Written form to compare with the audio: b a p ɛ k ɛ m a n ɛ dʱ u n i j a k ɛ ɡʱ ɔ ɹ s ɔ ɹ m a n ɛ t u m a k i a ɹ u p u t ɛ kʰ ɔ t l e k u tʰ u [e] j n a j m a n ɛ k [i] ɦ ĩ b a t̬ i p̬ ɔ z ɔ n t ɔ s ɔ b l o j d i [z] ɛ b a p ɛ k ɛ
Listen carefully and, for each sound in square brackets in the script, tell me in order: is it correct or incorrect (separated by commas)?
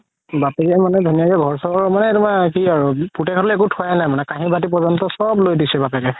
incorrect, incorrect, incorrect